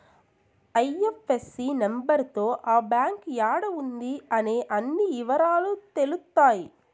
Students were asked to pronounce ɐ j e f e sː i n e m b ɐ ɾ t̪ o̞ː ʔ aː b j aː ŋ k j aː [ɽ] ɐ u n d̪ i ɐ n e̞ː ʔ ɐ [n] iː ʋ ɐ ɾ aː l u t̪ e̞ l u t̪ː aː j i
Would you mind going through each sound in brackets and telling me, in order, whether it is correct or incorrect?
correct, incorrect: nː

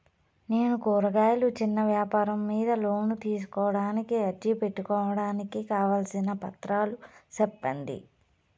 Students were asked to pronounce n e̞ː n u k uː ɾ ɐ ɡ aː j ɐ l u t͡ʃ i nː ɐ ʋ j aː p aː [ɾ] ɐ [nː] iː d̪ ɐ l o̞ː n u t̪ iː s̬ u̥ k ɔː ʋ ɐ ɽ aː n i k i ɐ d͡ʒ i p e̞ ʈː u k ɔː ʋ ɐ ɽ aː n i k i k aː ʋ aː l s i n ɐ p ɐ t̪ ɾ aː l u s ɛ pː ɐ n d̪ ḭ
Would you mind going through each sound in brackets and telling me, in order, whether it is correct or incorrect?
correct, incorrect: mː

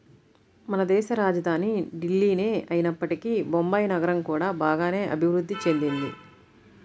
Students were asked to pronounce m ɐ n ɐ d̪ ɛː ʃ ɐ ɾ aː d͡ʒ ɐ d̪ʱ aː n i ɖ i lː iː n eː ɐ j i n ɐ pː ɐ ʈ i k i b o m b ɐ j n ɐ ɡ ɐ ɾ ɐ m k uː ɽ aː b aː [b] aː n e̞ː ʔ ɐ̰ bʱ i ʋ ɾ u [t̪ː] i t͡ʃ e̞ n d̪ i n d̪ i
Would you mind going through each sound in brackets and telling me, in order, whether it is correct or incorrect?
incorrect: ɡ, incorrect: d̪ː

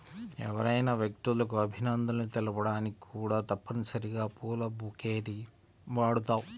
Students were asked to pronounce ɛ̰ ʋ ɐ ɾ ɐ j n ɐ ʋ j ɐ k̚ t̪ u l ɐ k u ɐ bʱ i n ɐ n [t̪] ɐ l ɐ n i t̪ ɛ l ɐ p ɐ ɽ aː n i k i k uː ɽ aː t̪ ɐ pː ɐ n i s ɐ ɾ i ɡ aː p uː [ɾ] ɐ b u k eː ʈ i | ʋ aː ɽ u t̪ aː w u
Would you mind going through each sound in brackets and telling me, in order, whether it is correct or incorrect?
incorrect: d̪, incorrect: l

